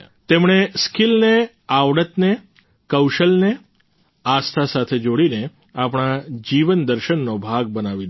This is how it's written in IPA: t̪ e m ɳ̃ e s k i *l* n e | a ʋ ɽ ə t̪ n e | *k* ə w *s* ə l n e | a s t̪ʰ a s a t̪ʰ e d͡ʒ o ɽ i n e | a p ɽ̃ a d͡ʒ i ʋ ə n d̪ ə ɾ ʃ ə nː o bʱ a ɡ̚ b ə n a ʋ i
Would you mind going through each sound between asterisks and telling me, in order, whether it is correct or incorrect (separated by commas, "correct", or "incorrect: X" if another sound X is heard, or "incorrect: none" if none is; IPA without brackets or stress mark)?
correct, correct, incorrect: ʃ